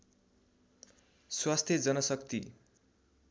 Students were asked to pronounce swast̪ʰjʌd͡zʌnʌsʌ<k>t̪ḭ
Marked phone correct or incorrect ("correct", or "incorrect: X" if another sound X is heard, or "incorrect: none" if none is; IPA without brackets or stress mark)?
correct